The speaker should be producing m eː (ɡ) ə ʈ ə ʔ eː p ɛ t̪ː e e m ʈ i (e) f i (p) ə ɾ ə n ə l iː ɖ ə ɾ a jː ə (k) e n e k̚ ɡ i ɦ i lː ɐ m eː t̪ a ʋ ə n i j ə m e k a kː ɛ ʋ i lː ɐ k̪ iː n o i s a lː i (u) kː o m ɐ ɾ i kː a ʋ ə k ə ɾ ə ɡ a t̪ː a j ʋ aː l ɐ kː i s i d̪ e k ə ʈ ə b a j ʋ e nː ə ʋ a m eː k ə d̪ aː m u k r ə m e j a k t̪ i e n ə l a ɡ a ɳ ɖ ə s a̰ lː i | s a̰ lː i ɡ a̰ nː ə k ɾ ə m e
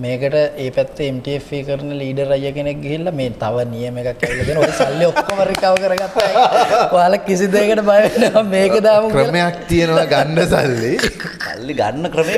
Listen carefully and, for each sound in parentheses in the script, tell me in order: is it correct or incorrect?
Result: incorrect, correct, incorrect, correct, incorrect

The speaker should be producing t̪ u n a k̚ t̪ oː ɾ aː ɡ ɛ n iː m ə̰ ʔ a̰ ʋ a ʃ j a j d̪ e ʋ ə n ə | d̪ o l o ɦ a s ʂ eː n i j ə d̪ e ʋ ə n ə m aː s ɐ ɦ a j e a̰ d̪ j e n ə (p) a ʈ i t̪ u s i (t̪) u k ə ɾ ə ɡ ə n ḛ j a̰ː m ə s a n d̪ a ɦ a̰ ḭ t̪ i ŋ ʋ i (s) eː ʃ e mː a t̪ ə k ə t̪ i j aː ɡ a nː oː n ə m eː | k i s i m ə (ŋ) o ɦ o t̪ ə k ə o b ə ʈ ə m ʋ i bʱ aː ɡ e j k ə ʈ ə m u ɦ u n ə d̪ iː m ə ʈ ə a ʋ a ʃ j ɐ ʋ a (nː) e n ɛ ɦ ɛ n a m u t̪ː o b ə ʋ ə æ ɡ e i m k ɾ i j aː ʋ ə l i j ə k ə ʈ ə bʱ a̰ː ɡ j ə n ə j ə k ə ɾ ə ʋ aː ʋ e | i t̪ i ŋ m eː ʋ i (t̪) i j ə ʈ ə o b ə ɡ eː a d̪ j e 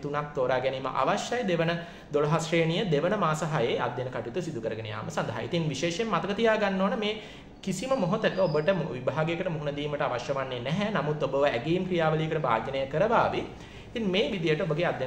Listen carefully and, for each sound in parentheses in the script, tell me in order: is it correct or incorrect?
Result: incorrect, incorrect, incorrect, incorrect, correct, incorrect

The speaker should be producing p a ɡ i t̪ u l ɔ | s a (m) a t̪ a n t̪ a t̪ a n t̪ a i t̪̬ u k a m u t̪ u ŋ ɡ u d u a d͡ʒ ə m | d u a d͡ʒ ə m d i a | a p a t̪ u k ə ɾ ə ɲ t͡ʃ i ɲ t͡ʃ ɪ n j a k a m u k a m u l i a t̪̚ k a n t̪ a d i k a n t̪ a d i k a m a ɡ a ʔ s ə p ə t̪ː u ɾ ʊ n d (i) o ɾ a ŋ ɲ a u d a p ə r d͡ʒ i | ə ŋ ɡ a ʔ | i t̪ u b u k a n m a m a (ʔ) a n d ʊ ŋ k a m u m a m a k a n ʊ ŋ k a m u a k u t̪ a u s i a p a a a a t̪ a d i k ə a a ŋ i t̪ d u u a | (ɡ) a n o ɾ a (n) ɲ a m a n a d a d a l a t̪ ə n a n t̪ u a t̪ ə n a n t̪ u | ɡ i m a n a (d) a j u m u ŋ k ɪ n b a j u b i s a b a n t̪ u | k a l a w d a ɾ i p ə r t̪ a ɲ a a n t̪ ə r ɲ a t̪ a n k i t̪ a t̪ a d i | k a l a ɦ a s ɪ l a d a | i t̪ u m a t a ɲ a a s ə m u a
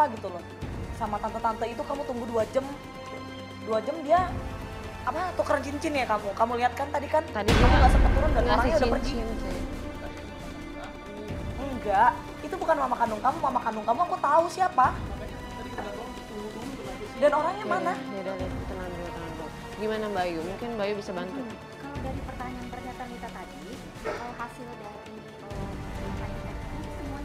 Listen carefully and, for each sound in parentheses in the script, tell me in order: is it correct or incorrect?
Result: correct, incorrect, incorrect, incorrect, incorrect, incorrect

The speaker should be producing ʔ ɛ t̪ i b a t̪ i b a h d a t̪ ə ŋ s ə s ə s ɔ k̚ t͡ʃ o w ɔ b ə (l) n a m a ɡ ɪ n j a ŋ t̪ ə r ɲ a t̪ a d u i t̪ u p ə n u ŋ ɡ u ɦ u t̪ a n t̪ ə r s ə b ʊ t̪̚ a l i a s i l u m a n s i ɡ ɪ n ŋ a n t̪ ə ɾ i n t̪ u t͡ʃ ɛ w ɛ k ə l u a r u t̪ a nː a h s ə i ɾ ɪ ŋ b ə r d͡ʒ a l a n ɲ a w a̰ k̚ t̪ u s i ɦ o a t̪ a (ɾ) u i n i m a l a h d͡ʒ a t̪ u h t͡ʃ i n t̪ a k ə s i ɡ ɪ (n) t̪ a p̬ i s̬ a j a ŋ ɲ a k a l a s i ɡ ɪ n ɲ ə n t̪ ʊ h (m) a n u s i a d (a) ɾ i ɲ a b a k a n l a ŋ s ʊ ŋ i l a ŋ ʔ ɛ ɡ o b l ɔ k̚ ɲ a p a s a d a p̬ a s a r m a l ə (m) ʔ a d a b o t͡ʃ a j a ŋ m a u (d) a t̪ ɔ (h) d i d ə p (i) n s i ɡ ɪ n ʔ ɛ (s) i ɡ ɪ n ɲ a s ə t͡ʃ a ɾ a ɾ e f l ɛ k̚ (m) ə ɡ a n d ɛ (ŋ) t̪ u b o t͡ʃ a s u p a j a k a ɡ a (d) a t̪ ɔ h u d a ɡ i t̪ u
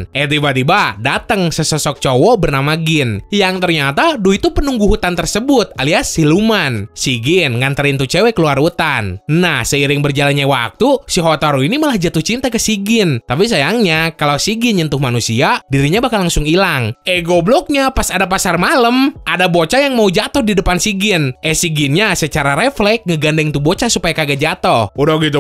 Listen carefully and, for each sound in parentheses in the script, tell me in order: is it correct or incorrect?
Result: incorrect, correct, correct, correct, incorrect, correct, incorrect, correct, incorrect, correct, incorrect, correct, incorrect

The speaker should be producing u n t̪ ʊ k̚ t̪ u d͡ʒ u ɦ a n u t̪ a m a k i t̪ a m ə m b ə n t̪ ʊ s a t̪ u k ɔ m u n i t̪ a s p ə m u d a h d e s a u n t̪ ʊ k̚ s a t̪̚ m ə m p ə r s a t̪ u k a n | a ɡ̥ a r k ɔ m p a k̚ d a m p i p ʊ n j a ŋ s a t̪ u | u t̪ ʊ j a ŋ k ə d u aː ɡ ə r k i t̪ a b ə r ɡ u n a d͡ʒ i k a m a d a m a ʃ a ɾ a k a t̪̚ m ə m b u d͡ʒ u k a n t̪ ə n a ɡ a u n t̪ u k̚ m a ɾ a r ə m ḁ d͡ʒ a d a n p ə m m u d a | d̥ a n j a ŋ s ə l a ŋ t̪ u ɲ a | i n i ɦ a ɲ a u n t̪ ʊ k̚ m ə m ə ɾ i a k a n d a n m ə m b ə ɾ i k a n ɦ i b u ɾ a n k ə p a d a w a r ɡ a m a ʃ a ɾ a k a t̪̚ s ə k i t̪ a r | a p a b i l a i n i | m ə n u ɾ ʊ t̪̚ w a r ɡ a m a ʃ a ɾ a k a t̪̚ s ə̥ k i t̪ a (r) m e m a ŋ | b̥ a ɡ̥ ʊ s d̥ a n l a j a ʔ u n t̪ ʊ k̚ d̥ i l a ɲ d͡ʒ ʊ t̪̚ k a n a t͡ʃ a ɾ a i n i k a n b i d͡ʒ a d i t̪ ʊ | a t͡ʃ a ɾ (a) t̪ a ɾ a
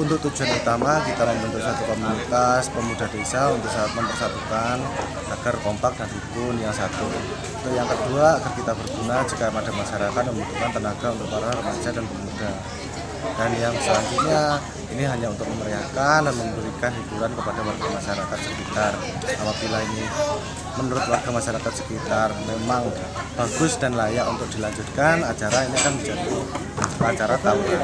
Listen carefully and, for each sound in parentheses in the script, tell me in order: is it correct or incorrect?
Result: correct, correct

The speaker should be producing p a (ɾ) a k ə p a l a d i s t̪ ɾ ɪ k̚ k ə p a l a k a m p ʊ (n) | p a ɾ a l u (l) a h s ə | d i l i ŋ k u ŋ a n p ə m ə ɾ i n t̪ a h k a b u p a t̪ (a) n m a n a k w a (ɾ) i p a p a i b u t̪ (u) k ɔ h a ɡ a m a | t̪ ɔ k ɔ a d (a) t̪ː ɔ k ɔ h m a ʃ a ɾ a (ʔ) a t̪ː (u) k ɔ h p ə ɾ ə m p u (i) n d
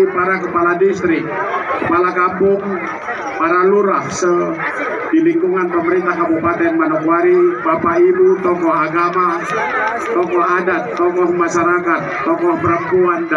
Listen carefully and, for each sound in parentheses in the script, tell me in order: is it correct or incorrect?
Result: correct, incorrect, incorrect, incorrect, correct, incorrect, correct, incorrect, incorrect, incorrect

